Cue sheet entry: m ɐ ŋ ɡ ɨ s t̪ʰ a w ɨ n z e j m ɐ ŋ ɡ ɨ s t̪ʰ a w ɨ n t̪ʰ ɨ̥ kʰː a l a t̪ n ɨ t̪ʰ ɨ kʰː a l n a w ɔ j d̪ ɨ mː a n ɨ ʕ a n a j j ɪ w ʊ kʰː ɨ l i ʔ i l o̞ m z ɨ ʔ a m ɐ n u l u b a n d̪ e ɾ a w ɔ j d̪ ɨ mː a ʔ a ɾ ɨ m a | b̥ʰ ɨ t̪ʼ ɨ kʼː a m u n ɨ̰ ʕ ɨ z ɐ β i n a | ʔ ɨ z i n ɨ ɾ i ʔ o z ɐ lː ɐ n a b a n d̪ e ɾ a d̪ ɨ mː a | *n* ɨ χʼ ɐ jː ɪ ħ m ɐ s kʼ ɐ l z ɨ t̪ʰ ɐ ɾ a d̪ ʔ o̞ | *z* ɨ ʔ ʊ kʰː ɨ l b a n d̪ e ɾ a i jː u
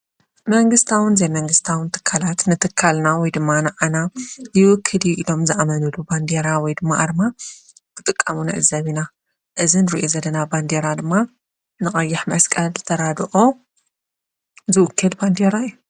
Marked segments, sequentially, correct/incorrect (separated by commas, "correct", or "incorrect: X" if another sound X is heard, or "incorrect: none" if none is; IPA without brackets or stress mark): correct, correct